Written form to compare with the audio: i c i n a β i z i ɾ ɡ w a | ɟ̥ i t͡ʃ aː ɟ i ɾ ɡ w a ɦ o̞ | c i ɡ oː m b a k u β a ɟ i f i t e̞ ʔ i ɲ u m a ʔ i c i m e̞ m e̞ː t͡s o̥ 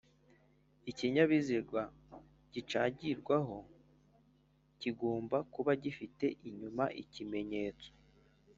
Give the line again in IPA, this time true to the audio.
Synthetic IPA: i c i ɲ a β i z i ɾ ɡ w a | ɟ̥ i t͡ʃ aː ɟ i ɾ ɡ w a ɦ o̞ | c i ɡ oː m b a k u β a ɟ i f i t e̞ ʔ i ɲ u m a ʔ i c i m e̞ ɲ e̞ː t͡s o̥